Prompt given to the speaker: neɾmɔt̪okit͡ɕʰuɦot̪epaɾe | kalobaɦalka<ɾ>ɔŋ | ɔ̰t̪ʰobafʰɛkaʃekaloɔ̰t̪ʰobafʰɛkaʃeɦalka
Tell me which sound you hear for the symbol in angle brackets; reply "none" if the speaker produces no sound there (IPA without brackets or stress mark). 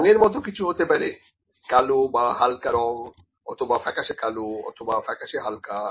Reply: ɾ